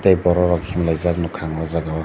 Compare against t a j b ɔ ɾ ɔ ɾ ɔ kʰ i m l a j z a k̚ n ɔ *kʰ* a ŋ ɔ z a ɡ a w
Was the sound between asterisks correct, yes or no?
yes